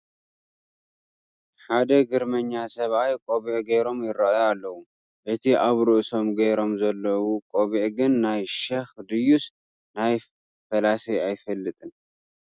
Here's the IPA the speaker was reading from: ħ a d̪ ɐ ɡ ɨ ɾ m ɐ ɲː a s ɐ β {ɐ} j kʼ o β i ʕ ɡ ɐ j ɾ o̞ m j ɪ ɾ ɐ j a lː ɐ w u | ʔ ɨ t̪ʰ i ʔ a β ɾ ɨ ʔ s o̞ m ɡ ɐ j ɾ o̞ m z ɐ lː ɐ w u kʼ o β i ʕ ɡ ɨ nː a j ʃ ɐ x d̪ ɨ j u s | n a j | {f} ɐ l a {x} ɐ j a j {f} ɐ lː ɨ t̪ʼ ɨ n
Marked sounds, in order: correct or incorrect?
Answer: incorrect, correct, incorrect, correct

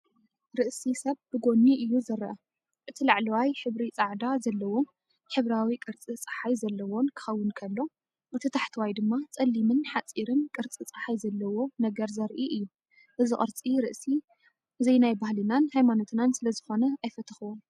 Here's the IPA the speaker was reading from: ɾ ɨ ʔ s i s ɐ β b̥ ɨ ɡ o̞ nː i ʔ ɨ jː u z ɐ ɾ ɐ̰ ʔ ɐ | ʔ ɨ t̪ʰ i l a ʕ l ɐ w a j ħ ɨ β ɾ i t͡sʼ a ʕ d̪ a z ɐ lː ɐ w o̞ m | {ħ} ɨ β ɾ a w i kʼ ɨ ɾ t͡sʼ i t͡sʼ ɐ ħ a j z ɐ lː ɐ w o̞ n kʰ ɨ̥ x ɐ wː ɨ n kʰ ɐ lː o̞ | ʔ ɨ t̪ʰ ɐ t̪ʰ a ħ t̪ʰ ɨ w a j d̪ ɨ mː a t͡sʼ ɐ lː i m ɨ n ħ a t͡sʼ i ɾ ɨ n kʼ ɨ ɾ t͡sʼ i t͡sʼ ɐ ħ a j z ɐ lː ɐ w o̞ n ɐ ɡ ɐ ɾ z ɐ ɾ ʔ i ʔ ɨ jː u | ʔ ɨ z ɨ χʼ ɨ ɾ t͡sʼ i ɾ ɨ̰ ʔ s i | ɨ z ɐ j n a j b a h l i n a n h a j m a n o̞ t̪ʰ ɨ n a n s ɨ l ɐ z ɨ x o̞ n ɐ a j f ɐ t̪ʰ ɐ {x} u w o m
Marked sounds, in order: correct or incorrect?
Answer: correct, correct

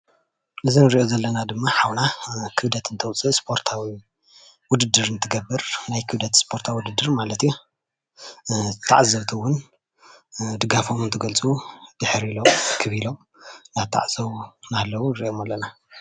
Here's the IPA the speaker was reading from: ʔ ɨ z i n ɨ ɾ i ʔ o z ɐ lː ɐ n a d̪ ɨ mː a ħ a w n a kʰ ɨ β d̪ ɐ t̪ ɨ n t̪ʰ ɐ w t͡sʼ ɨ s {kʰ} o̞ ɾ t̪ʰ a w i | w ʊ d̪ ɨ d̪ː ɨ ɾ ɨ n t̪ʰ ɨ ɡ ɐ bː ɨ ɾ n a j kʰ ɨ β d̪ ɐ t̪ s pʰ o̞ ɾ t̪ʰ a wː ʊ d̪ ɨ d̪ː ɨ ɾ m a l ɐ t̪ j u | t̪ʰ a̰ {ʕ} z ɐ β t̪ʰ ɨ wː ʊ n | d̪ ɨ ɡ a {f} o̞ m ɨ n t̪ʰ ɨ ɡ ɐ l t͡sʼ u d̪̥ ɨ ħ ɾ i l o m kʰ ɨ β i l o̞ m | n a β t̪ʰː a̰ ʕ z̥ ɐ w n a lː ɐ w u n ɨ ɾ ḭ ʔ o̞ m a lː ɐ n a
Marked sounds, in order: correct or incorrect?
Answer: incorrect, correct, correct

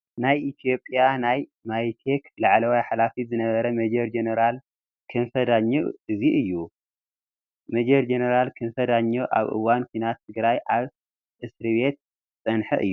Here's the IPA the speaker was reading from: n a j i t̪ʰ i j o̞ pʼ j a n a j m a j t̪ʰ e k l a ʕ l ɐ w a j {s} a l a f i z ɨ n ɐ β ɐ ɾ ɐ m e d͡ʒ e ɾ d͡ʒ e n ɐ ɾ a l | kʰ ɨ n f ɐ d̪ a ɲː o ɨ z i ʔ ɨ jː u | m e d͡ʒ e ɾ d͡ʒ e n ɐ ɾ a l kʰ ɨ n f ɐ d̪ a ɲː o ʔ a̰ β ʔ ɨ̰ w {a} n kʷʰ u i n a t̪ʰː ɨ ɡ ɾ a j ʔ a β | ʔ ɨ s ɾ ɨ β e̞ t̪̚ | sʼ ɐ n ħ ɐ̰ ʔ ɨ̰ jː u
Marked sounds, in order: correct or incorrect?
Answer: incorrect, correct

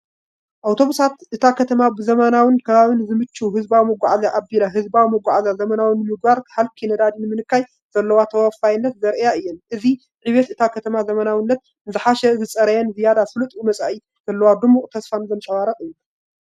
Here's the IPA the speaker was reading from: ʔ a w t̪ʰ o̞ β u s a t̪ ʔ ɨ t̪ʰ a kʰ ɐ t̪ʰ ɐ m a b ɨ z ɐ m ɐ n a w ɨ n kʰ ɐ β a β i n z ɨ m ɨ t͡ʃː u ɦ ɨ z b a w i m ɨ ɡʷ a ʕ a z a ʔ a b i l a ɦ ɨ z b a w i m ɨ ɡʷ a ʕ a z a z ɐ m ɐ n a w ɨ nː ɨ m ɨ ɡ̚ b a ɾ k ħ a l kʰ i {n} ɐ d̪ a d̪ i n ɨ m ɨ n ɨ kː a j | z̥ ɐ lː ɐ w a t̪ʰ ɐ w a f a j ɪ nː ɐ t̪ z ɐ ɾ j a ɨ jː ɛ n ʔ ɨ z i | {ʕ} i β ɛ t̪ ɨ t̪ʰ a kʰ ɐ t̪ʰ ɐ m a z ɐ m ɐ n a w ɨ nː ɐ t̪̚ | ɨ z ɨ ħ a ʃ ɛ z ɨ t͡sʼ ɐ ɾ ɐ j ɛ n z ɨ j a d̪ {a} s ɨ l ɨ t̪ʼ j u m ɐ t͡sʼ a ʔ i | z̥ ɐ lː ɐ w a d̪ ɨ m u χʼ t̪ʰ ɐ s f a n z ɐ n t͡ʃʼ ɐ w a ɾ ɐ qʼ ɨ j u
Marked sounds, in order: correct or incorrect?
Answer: correct, correct, correct

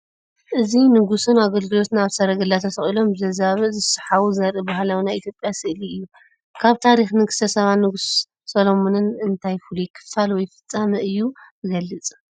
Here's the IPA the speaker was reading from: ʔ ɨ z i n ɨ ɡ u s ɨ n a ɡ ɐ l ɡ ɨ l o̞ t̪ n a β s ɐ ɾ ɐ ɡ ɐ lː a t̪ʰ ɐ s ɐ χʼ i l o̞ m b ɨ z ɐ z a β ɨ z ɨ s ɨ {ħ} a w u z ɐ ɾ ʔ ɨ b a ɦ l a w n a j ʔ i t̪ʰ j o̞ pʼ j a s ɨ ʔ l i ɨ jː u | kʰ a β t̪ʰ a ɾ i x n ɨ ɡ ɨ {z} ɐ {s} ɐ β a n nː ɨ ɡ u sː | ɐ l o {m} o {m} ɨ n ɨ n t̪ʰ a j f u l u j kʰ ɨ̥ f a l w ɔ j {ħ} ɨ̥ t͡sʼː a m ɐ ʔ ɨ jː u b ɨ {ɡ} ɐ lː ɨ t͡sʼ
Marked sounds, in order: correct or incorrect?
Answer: correct, incorrect, correct, correct, incorrect, incorrect, correct

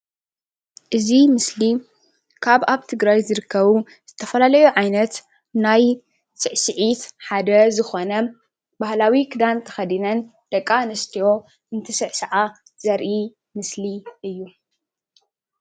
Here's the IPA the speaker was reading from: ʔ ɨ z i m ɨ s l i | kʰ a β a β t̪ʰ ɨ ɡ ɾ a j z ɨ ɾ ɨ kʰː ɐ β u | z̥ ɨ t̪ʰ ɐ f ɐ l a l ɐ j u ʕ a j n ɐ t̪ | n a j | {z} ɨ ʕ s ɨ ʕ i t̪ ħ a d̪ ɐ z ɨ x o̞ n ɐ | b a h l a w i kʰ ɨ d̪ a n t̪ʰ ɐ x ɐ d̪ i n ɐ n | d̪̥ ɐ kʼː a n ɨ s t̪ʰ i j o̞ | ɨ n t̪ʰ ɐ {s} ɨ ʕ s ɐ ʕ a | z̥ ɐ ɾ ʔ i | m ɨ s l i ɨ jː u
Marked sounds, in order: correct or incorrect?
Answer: incorrect, correct

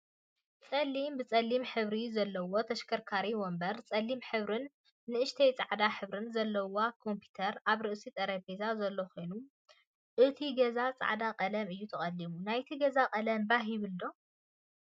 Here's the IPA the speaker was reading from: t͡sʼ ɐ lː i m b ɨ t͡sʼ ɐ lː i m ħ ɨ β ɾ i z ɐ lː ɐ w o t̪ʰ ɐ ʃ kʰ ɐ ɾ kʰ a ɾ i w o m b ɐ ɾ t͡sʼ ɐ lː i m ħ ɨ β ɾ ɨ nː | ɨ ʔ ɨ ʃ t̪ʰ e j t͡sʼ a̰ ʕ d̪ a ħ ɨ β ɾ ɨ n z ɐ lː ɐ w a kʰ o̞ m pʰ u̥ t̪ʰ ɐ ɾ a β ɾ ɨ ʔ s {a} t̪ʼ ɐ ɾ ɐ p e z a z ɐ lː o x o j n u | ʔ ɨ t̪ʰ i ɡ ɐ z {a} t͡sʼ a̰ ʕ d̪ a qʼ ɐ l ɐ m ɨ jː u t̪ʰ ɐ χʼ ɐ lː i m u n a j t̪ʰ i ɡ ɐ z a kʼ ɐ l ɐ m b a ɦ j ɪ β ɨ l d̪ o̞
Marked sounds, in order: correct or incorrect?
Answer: incorrect, correct

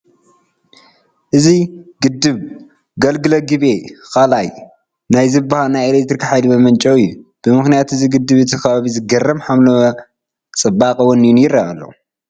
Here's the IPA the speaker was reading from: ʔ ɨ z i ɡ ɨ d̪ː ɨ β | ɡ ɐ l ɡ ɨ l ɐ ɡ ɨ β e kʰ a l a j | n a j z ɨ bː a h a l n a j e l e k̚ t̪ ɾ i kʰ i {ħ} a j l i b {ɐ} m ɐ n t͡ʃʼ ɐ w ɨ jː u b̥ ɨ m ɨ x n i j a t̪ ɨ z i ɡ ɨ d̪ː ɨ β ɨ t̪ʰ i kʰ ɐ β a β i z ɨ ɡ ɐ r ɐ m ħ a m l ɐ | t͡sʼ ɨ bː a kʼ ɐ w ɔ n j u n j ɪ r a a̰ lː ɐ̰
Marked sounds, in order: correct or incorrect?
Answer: correct, correct

